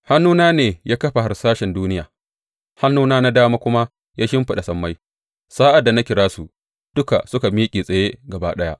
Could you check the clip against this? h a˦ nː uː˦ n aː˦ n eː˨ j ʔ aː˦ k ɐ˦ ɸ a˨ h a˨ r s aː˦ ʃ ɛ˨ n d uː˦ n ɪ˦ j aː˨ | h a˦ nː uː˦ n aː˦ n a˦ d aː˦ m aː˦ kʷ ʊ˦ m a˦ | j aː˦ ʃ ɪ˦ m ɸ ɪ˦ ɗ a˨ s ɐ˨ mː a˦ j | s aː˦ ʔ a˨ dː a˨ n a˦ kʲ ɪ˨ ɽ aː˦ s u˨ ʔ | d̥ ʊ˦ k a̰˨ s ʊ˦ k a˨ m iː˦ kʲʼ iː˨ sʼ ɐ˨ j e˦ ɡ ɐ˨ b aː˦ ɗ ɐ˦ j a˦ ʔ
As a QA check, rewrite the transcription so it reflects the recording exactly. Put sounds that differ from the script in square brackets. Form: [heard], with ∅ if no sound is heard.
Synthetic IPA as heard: h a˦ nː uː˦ n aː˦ n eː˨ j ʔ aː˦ k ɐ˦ ɸ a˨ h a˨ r s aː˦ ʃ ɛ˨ n d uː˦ n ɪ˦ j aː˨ | h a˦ nː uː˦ n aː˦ n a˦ d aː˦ m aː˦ kʷ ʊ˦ m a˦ | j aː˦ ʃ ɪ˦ m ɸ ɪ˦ ɗ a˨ s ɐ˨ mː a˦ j | s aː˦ ʔ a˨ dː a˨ n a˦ kʲ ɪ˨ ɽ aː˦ s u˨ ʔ | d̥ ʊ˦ k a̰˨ s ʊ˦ k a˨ m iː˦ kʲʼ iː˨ sʼ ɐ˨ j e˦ ɡ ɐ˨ b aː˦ ɗ ɐ˦ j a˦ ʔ